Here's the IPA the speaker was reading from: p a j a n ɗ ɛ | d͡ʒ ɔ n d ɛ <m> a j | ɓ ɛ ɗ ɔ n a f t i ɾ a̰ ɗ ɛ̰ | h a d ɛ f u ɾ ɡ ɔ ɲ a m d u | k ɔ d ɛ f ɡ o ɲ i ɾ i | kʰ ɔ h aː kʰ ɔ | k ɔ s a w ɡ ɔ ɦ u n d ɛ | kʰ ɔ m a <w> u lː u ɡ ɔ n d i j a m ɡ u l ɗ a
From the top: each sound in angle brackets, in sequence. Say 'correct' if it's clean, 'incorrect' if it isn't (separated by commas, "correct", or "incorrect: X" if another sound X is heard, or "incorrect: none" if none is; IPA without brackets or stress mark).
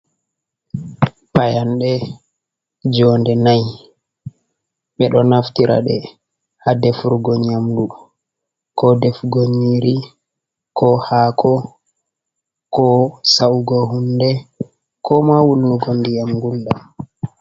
incorrect: n, correct